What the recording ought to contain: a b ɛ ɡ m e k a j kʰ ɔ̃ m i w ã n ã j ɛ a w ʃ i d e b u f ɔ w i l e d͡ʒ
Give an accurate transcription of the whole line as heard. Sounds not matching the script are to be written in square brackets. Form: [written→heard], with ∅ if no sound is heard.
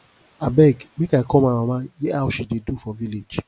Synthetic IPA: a b ɛ ɡ m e k a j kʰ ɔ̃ m [i→a] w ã [n→m] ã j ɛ a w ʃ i d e [b→d] u f ɔ [w→v] i l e d͡ʒ

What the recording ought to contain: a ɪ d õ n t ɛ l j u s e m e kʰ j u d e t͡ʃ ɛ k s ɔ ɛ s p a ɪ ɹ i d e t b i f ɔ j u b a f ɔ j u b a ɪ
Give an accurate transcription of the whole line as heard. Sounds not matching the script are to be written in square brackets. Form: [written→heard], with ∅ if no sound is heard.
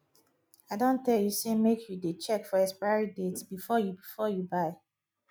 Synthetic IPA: a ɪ d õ n t ɛ l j u s e m e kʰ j u d e t͡ʃ ɛ k [s→f] ɔ ɛ s p a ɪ ɹ i d e t b i f ɔ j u b [a→i] f ɔ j u b a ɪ

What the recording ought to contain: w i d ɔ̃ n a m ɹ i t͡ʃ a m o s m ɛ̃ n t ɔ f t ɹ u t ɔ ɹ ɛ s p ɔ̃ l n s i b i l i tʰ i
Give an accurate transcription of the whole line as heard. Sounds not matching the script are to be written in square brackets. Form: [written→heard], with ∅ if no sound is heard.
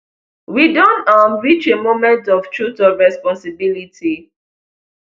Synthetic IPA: w i d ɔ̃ n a m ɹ i t͡ʃ [a→e] m o [s→∅] m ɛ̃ n t ɔ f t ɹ u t ɔ ɹ ɛ s p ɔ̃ [l→∅] n s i b i l i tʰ i

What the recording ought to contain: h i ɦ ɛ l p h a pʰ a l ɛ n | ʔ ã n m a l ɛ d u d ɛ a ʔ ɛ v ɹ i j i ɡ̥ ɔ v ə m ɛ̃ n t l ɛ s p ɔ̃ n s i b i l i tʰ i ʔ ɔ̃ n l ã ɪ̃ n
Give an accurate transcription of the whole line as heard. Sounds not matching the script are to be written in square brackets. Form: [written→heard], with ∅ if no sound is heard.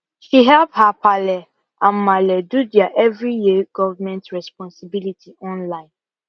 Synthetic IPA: [h→ʃ] i ɦ ɛ l p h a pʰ a l ɛ [n→∅] | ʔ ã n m a l ɛ d u d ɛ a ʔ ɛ v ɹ i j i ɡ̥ ɔ v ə m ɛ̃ n t [l→ɹ] ɛ s p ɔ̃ n s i b i l i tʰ i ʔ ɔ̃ n l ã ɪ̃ n

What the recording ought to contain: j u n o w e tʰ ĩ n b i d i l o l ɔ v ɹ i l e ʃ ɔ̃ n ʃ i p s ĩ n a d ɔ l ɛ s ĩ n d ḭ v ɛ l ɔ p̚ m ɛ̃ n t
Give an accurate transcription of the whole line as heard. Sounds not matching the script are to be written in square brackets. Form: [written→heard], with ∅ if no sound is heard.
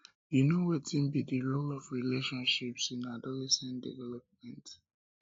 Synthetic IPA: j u n o w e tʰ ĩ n b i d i l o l ɔ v ɹ i l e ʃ ɔ̃ n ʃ i p s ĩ n a d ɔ l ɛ s [ĩ→ɛ̃] n d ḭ v ɛ l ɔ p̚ m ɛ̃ n t

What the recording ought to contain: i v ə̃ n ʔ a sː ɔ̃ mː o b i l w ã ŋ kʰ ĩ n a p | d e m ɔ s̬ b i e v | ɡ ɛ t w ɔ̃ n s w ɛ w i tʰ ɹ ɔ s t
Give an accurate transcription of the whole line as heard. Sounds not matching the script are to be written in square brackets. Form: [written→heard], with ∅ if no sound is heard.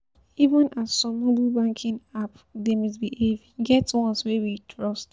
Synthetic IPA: i v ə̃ n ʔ a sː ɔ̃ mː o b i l [w→b] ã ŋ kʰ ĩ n a p | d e m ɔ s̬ b i e v | ɡ ɛ t w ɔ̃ n s w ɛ w i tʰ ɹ ɔ s t

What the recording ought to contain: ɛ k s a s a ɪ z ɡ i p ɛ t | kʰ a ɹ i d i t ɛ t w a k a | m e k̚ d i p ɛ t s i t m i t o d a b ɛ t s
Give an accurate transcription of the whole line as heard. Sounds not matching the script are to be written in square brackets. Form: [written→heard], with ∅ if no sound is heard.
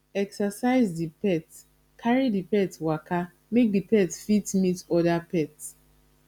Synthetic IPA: ɛ k s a s a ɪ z [ɡ→d] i p ɛ t | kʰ a ɹ i d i [t→p] ɛ t w a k a | m e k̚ d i p ɛ t [s→f] i t m i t [o→ɔ] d a [b→p] ɛ t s

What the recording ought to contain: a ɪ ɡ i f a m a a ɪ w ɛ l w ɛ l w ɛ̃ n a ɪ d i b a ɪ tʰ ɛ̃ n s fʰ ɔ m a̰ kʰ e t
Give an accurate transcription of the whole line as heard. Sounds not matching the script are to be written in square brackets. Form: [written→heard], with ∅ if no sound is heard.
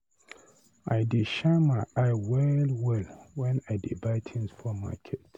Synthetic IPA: a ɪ [ɡ→d] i [f→ʃ] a m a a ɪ w ɛ l w ɛ l w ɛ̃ n a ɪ d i b a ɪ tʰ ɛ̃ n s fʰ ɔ m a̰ kʰ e t

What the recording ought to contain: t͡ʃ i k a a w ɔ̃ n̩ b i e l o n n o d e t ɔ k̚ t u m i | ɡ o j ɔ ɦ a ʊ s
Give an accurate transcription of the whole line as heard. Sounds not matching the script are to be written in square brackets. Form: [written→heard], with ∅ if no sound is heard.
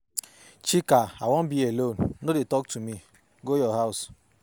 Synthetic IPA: t͡ʃ i k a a w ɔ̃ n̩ b i e l o n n o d e t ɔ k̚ t u m i | ɡ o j ɔ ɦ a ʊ s

